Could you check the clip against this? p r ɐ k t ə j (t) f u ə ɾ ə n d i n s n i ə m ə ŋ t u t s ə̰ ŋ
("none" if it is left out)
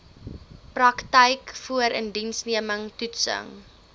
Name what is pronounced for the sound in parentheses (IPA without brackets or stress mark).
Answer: k